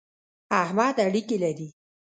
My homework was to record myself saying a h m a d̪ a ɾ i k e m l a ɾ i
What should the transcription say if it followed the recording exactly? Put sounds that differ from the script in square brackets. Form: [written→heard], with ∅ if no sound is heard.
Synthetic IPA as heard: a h m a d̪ a [ɾ→ɽ] i k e [m→∅] l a ɾ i